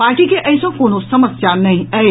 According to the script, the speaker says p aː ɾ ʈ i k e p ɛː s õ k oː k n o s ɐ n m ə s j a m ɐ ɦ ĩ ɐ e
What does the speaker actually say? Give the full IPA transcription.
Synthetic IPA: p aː ɾ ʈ i k e ʔ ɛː s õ k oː n o s ɐ m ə s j a n ɐ ɦ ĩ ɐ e